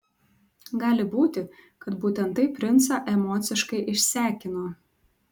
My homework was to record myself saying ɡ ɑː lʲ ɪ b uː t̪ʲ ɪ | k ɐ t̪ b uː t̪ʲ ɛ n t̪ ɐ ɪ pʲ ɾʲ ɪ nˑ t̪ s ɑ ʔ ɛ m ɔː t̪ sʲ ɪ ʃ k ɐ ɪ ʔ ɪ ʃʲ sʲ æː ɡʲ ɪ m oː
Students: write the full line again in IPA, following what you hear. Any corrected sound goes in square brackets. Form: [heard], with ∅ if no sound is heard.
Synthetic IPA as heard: ɡ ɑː lʲ ɪ b uː t̪ʲ ɪ | k ɐ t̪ b uː t̪ʲ ɛ n t̪ ɐ ɪ pʲ ɾʲ ɪ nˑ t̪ s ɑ ʔ ɛ m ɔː t̪ sʲ ɪ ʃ k ɐ ɪ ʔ ɪ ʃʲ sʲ æː [kʲ] ɪ [n] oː